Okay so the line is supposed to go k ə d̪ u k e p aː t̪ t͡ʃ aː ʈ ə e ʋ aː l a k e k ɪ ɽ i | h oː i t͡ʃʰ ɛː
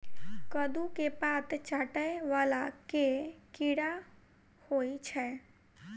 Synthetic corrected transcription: k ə d̪ u k e p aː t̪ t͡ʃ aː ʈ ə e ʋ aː l a k e k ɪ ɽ a | h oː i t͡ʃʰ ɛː